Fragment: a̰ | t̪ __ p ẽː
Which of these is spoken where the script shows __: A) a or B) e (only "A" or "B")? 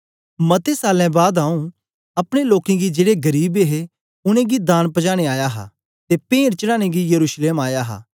B